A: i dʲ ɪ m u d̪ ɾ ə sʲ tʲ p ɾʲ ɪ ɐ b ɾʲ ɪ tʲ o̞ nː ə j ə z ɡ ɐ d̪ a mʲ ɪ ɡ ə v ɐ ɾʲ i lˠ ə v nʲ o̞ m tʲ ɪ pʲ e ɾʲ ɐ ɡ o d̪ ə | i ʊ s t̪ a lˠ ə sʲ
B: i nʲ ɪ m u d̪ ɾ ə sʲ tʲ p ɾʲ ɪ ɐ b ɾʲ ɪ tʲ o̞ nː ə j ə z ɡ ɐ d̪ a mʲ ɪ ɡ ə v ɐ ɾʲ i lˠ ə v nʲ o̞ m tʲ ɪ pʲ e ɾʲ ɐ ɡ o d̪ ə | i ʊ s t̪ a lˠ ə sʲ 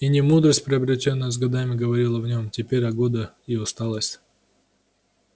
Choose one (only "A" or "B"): B